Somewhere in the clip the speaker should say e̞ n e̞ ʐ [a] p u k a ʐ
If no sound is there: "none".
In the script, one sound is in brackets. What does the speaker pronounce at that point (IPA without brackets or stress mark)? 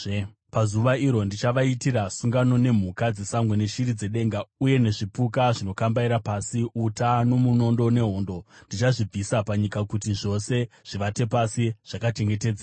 i